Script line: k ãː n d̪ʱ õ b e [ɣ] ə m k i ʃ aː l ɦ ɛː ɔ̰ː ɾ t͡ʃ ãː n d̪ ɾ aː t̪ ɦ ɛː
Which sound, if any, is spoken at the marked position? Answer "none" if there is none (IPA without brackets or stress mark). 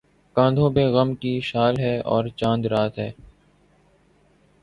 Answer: ɣ